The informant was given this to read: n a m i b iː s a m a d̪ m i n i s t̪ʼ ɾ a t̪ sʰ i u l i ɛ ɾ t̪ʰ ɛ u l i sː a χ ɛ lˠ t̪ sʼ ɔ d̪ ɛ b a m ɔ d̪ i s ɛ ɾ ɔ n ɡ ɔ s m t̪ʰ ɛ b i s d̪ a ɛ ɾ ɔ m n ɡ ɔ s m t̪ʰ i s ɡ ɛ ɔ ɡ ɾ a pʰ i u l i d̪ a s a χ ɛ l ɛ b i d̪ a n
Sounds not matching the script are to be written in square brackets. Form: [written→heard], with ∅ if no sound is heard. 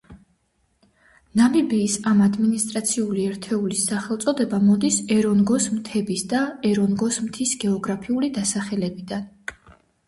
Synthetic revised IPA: n a m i b iː s a m a d̪ m i n i s t̪ʼ ɾ a t̪ sʰ i u l i ɛ ɾ t̪ʰ ɛ u l i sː a χ ɛ lˠ t̪ sʼ ɔ d̪ ɛ b a m ɔ d̪ i s ɛ ɾ ɔ n ɡ ɔ s m t̪ʰ ɛ b i s d̪ a ɛ ɾ ɔ [m→∅] n ɡ ɔ s m t̪ʰ i s ɡ ɛ ɔ ɡ ɾ a pʰ i u l i d̪ a s a χ ɛ l ɛ b i d̪ a n

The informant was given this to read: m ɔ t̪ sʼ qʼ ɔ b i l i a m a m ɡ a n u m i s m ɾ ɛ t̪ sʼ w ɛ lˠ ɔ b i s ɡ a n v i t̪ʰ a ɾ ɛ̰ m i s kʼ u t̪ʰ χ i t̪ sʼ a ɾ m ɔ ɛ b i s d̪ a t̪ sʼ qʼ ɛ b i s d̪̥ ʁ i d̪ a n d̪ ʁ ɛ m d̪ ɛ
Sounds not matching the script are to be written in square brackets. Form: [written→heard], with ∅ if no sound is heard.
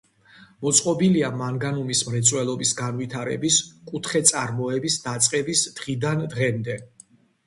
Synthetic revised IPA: m ɔ t̪ sʼ qʼ ɔ b i l i a m a [m→ŋ] ɡ a n u m i s m ɾ ɛ t̪ sʼ w ɛ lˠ ɔ b i s ɡ a n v i t̪ʰ a ɾ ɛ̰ [m→b] i s kʼ u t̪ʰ χ [i→ɛ] t̪ sʼ a ɾ m ɔ ɛ b i s d̪ a t̪ sʼ qʼ ɛ b i s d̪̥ ʁ i d̪ a n d̪ ʁ ɛ m d̪ ɛ

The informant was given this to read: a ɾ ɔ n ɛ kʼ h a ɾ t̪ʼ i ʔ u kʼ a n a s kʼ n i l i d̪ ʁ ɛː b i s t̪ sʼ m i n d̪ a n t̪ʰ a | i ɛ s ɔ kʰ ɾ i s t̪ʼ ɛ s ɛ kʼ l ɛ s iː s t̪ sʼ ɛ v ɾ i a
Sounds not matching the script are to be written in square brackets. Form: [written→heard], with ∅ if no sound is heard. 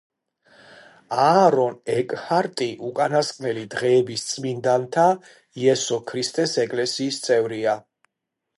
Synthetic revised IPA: a ɾ ɔ n ɛ kʼ h a ɾ t̪ʼ i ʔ u kʼ a n a s kʼ n [i→ɛ] l i d̪ ʁ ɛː b i s t̪ sʼ m i n d̪ a n t̪ʰ a | i ɛ s ɔ kʰ ɾ i s t̪ʼ ɛ s ɛ kʼ l ɛ s iː s t̪ sʼ ɛ v ɾ i a

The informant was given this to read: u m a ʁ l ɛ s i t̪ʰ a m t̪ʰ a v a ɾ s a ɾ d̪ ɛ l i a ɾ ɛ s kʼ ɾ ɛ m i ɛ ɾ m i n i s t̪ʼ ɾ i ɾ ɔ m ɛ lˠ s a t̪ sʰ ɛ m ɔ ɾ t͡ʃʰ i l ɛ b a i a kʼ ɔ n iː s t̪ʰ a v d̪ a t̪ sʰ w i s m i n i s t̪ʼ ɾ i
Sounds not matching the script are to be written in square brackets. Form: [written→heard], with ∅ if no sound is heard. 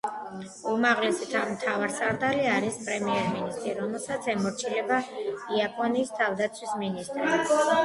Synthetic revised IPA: u m a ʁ l ɛ s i t̪ʰ a m t̪ʰ a v a ɾ s a ɾ d̪ [ɛ→a] l i a ɾ [ɛ→i] s [kʼ→pʼ] ɾ ɛ m i ɛ ɾ m i n i s t̪ʼ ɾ i ɾ ɔ m ɛ lˠ s a t̪ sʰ ɛ m ɔ ɾ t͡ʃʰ i l ɛ b a i a [kʼ→pʼ] ɔ n iː s t̪ʰ a v d̪ a t̪ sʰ w i s m i n i s t̪ʼ ɾ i

